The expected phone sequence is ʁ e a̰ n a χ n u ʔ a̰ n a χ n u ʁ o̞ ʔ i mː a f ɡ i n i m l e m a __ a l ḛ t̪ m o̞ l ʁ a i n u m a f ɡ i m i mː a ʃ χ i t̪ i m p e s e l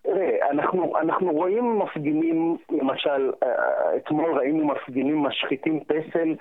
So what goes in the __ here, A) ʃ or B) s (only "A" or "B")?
A